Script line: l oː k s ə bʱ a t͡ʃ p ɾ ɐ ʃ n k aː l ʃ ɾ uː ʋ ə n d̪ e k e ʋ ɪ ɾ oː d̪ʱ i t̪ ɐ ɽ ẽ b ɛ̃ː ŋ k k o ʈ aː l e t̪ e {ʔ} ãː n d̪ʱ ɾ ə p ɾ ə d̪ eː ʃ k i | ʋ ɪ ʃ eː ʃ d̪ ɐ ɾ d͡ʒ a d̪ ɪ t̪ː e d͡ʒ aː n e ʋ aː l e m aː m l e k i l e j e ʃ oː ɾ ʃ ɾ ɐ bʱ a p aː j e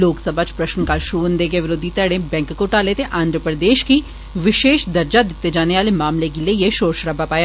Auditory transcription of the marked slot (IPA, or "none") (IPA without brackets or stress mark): ʔ